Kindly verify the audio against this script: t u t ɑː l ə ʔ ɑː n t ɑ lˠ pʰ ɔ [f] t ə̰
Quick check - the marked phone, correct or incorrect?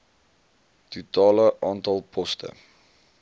incorrect